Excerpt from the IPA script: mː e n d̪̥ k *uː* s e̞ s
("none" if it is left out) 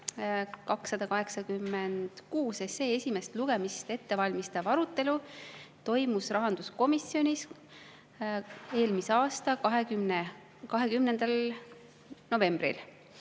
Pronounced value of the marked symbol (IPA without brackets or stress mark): uː